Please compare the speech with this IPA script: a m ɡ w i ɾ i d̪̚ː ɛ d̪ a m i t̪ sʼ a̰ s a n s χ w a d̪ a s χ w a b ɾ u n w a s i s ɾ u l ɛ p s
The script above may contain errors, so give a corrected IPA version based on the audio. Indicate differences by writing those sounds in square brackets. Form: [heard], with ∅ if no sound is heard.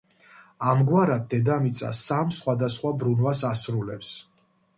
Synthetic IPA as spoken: a m ɡ w [a] ɾ [a] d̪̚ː ɛ d̪ a m i t̪ sʼ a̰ s a [m] s χ w a d̪ a s χ w a b ɾ u n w a s [a] s ɾ u l ɛ p s